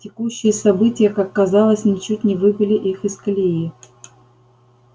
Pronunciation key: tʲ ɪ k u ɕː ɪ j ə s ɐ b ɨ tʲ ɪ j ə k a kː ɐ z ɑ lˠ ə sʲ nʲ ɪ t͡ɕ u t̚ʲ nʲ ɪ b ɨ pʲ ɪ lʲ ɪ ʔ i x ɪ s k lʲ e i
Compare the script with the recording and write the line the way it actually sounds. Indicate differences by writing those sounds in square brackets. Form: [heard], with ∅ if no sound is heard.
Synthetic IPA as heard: tʲ ɪ k u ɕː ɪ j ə s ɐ b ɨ tʲ ɪ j ə k a kː ɐ z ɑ lˠ ə sʲ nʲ ɪ t͡ɕ u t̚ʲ nʲ ɪ [v] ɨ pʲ ɪ lʲ ɪ ʔ i x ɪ s k lʲ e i